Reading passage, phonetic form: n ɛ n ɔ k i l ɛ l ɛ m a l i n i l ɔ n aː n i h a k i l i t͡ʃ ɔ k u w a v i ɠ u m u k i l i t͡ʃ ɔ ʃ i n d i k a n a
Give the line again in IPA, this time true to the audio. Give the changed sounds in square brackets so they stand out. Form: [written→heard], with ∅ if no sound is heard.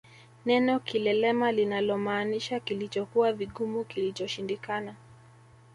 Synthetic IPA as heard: n ɛ n ɔ k i l ɛ l ɛ m a l i n [i→a] l ɔ [n→m] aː n i [h→ʃ] a k i l i t͡ʃ ɔ k u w a v i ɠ u m u k i l i t͡ʃ ɔ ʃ i n d i k a n a

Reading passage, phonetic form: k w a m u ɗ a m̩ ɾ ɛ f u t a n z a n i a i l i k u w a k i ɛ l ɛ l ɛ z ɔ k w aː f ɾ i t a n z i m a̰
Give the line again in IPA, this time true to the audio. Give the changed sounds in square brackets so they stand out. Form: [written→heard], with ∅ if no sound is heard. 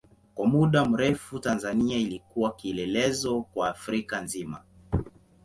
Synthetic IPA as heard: k w a m u ɗ a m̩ ɾ ɛ f u t a n z a n i a i l i k u w a k i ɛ l ɛ l ɛ z ɔ k w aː f ɾ i [t→k] a n z i m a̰

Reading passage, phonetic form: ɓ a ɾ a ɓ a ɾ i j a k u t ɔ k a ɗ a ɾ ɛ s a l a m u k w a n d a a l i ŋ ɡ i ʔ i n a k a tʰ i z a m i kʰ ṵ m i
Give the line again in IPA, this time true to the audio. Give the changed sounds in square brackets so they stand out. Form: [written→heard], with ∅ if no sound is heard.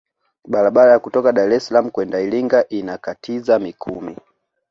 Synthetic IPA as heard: ɓ a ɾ a ɓ a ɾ [i→a] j a k u t ɔ k a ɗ a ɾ ɛ s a l a m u k w [a→ɛ] n d a [a→i] l i ŋ ɡ [i→a] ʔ i n a k a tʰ i z a m i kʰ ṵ m i

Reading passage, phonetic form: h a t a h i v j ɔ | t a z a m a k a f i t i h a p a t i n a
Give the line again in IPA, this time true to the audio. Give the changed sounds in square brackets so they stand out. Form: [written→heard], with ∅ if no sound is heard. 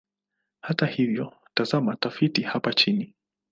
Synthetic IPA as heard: h a t a h i v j ɔ | t a z a m a [k→t] a f i t i h a p a [t→t͡ʃ] i n [a→i]

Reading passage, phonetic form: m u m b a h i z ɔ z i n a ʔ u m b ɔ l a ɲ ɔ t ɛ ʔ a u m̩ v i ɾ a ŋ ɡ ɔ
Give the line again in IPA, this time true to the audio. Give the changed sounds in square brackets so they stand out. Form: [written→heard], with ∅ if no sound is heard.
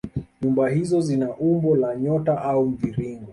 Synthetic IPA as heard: [m→ɲ] u m b a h i z ɔ z i n a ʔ u m b ɔ l a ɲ ɔ t [ɛ→a] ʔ a u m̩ v i ɾ [a→i] ŋ ɡ ɔ

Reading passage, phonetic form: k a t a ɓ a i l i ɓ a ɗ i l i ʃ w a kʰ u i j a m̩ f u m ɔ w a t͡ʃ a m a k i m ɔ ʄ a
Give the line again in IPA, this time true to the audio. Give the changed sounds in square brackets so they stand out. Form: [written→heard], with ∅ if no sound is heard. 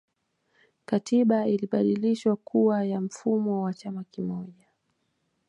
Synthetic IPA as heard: k a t [a→i] ɓ a i l i ɓ a ɗ i l i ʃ w a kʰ u [i→a] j a m̩ f u m ɔ w a t͡ʃ a m a k i m ɔ ʄ a

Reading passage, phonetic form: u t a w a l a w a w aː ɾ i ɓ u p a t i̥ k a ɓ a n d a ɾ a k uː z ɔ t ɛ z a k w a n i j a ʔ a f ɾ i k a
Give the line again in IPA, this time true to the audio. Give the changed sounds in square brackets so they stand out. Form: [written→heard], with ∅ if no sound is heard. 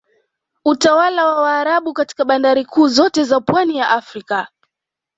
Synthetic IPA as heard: u t a w a l a w a w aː ɾ [i→a] ɓ u [p→k] a t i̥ k a ɓ a n d a ɾ [a→i] k uː z ɔ t ɛ z a [k→p] w a n i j a ʔ a f ɾ i k a

